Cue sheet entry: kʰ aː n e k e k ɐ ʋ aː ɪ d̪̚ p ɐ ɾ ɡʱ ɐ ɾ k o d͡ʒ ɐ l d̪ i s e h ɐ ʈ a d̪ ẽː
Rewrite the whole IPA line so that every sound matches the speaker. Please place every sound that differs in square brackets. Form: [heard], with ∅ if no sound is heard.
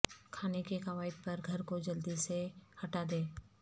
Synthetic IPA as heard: kʰ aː n e k e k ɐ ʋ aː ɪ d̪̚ p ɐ ɾ ɡʱ ɐ ɾ k o d͡ʒ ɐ l d̪ i s e h ɐ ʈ a d̪ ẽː